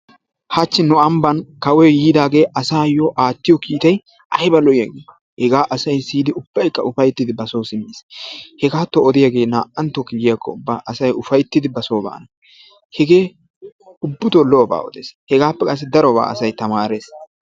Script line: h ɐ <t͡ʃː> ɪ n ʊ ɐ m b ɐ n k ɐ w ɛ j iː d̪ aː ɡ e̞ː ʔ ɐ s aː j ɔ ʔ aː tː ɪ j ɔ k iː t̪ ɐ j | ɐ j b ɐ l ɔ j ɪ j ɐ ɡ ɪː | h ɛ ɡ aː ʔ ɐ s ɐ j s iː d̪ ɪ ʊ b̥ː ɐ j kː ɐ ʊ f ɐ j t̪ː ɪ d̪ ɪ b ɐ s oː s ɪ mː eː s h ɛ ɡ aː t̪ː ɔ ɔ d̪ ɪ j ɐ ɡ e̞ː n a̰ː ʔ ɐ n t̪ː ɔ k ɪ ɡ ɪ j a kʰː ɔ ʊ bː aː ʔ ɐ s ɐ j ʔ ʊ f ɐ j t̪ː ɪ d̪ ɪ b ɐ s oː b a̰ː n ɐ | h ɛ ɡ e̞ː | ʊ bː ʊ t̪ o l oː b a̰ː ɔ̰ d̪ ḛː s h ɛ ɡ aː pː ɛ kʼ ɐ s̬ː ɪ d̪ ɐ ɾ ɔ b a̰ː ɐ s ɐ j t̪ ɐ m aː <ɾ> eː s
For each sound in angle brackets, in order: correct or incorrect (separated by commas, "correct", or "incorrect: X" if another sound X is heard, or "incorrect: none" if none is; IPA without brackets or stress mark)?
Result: correct, correct